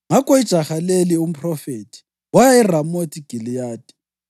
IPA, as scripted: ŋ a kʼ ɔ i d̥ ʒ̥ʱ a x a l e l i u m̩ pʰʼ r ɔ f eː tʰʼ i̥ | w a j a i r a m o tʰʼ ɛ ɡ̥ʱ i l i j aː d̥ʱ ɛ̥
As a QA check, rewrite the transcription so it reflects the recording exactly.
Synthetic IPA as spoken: ŋ a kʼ ɔ i d̥ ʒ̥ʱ a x a l e l i u m̩ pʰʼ r ɔ f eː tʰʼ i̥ | w a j a i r a m o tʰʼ i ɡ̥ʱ i l i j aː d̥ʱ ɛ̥